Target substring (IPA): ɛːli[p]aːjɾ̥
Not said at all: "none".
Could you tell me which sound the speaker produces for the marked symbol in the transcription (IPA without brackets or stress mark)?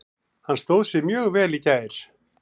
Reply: c